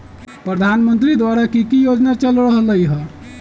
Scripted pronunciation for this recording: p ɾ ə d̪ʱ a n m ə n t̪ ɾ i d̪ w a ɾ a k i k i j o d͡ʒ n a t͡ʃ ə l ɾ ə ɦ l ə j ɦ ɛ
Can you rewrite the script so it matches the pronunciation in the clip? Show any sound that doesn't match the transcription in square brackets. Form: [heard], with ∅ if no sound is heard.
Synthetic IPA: p ɾ ə d̪ʱ a n m ə n t̪ ɾ i d̪ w a ɾ a k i k i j o d͡ʒ n a t͡ʃ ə l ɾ ə ɦ l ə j ɦ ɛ